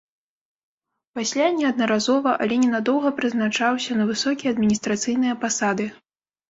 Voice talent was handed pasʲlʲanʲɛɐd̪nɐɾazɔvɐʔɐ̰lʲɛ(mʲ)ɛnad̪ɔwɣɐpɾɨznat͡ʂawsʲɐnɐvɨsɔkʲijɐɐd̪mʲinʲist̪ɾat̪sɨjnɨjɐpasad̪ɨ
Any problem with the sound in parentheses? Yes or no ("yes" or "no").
yes